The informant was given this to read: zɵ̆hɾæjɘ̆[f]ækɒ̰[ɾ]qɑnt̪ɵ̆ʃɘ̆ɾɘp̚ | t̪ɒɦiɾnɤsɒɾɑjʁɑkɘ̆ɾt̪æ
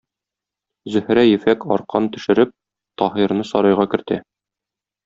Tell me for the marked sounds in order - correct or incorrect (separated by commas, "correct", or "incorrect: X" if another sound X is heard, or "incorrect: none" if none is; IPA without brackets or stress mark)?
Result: correct, correct